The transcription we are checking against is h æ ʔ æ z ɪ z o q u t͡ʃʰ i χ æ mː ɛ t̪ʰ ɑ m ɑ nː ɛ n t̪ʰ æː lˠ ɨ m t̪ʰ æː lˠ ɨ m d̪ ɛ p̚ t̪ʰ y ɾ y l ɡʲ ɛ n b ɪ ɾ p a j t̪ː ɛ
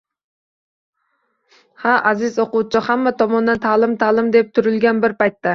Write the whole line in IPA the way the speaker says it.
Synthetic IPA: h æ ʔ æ z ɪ z o q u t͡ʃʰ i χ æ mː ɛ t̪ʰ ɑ m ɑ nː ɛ n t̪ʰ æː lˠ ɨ m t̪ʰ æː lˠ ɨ m d̪ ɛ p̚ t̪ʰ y ɾ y l ɡʲ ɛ n b ɪ ɾ p ɑ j t̪ː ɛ